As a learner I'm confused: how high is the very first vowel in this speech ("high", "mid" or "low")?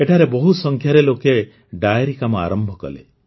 mid